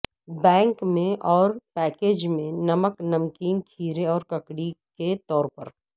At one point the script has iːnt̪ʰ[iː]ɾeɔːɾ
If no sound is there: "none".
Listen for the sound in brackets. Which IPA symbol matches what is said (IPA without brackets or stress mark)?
iː